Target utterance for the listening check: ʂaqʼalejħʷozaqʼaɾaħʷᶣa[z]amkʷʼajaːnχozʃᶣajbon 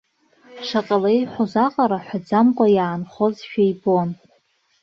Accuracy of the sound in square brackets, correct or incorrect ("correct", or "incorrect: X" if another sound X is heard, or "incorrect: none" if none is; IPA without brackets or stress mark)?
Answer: incorrect: d͡z